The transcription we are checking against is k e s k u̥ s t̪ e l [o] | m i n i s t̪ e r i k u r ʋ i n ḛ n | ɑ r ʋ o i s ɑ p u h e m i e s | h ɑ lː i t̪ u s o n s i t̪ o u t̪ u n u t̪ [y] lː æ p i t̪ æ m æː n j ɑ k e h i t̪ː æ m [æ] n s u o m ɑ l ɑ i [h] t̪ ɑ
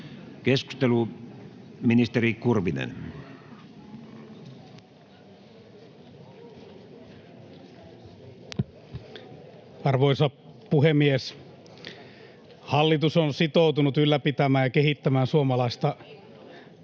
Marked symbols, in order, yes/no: no, yes, no, no

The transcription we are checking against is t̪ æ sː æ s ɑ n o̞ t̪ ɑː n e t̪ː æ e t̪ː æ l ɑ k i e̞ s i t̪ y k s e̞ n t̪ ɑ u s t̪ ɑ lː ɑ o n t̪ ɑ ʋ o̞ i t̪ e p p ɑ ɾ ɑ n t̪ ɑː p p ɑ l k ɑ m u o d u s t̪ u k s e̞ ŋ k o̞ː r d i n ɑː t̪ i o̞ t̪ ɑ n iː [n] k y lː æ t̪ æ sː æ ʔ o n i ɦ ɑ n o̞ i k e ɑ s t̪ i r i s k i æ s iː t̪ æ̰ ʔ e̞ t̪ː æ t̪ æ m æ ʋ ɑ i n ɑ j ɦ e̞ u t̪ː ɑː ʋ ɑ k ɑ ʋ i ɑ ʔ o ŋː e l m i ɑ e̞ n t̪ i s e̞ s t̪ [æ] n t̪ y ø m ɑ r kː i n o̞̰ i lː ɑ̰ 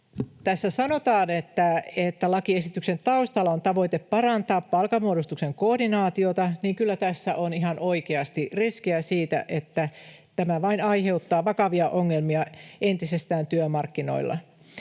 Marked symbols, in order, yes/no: no, no

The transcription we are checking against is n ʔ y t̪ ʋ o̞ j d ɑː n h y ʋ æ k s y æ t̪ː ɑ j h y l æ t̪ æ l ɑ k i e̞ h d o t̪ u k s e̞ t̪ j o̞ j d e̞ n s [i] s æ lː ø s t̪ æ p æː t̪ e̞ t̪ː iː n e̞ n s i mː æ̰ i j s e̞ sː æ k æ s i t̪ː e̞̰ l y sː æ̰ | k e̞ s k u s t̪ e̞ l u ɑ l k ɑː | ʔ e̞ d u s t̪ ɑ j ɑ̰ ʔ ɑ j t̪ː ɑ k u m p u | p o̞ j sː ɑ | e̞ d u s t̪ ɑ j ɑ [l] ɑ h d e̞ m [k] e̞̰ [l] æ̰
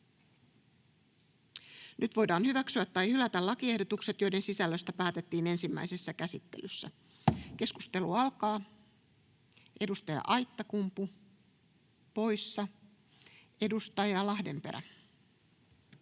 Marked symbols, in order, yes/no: yes, yes, no, no

